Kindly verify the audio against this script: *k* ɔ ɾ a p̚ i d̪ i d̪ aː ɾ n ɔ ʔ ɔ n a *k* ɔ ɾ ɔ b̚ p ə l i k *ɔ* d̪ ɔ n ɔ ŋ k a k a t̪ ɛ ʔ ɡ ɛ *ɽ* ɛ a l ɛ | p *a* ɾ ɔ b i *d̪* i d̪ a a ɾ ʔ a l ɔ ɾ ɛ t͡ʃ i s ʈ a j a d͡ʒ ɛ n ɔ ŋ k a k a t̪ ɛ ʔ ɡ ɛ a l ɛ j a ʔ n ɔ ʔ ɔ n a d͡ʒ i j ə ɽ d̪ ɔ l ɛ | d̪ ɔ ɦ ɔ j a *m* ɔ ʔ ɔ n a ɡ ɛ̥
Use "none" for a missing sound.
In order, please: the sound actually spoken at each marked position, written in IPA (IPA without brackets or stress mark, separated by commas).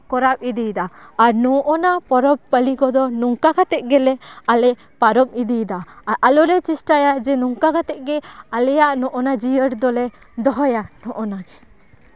k, p, ɔ, l, a, d̪, n